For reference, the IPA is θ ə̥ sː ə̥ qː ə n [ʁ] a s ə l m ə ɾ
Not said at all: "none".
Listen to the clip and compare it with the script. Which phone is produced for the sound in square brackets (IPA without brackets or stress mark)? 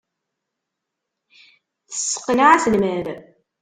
ʕ